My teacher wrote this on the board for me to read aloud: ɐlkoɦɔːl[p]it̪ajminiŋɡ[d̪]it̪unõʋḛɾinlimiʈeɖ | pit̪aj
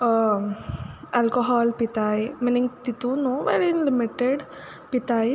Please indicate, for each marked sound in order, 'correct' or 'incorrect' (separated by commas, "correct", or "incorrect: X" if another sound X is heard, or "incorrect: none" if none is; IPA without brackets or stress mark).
correct, incorrect: t̪